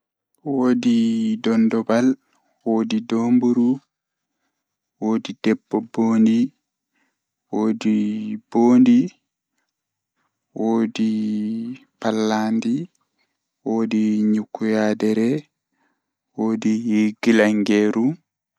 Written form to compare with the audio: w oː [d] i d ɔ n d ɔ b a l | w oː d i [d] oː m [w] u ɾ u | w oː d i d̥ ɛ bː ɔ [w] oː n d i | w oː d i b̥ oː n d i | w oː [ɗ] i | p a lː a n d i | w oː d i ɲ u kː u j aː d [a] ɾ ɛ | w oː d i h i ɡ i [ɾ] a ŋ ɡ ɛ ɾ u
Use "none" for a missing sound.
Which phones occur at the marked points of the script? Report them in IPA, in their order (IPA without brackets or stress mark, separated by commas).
d, d, b, b, d, ɛ, l